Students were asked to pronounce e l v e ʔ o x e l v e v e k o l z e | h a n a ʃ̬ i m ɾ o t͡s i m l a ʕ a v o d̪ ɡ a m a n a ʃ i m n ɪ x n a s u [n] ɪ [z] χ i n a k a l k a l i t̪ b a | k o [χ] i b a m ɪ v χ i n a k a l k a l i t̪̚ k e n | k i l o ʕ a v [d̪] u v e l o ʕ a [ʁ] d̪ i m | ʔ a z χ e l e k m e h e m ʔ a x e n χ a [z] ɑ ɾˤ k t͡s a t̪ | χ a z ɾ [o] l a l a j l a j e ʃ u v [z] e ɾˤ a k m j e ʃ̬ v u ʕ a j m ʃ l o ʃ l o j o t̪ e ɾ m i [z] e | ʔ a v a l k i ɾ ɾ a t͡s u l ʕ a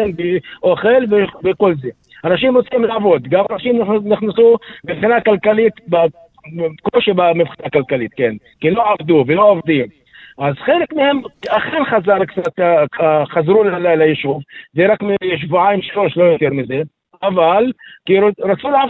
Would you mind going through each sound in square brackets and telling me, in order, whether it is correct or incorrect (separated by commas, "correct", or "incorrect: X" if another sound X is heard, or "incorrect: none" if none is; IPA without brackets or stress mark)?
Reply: incorrect: m, incorrect: v, incorrect: ʃ, correct, incorrect: v, correct, incorrect: u, correct, correct